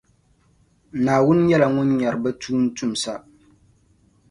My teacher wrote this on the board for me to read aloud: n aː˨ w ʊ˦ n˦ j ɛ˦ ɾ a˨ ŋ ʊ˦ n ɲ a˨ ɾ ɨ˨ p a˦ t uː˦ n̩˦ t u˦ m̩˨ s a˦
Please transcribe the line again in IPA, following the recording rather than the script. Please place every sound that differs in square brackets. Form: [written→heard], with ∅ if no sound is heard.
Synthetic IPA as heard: n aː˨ w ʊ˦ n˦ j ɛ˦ [ɾ→l] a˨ ŋ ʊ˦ n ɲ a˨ ɾ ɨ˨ [p→b] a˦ t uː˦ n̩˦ t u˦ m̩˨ s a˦

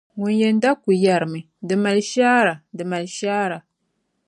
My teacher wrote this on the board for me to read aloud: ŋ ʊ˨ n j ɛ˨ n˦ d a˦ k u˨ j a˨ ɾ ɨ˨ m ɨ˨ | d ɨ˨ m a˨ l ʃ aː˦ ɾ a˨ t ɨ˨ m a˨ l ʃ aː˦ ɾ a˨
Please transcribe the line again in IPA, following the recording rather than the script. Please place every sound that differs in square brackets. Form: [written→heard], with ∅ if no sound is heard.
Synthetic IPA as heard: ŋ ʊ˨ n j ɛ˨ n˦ d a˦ k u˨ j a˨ ɾ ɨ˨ m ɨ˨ | d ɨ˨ m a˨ l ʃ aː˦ ɾ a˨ [t→d] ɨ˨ m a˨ l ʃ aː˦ ɾ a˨

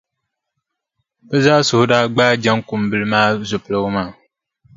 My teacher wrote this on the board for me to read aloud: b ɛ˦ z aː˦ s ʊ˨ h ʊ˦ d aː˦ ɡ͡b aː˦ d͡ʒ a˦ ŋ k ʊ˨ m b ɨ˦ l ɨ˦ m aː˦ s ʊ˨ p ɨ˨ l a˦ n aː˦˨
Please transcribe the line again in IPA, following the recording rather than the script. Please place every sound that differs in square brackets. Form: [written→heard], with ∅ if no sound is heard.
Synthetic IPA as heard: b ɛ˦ z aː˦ s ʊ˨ h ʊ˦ d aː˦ ɡ͡b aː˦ d͡ʒ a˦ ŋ k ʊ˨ m b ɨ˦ l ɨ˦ m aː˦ [s→z] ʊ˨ p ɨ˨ l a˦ [n→m] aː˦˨

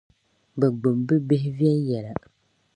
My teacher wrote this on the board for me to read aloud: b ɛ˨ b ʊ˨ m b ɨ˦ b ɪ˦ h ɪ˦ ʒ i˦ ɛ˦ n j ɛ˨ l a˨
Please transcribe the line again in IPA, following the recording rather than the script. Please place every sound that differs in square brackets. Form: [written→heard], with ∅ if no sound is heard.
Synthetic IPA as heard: b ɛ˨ [b→ɡ͡b] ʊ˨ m b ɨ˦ b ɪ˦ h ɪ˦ [ʒ→v] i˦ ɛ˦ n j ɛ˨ l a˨

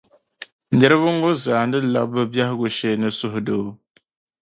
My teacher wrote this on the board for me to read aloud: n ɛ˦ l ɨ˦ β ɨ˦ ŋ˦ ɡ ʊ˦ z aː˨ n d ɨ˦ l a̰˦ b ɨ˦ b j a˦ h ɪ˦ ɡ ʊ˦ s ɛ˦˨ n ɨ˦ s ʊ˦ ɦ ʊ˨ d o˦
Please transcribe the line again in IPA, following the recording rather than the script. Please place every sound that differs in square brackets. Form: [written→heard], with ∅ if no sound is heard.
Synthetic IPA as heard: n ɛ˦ [l→ɾ] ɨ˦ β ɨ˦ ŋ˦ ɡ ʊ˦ z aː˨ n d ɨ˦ l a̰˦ b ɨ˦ b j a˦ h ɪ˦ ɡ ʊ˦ [s→ʃ] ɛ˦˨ n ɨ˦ s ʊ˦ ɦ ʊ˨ d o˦

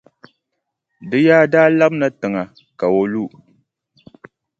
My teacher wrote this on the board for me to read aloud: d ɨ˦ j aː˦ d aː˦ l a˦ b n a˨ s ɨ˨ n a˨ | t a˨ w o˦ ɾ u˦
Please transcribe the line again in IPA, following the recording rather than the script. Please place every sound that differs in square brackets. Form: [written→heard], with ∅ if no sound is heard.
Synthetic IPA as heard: d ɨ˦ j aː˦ d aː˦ l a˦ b n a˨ [s→t] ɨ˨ [n→ŋ] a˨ | [t→k] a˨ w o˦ [ɾ→l] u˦

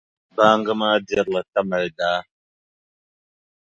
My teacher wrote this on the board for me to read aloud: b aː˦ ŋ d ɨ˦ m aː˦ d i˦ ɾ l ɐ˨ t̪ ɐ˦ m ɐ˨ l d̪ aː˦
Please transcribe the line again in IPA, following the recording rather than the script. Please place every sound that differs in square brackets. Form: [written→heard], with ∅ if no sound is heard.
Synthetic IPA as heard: b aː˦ ŋ [d→ɡ] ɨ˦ m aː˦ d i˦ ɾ l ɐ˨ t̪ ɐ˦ m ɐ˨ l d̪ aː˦

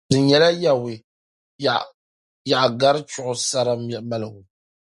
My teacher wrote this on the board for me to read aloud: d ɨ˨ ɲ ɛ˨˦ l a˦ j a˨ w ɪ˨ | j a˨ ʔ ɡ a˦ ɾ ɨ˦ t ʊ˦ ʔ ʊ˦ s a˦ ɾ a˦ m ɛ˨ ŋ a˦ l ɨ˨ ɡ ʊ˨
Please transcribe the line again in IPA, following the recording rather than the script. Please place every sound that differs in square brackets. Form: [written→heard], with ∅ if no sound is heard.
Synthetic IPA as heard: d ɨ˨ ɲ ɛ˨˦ l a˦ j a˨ w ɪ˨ | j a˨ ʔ ɡ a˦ ɾ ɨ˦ [t→t͡ʃ] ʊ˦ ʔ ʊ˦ s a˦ ɾ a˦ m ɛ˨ [ŋ→m] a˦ l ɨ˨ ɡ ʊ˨

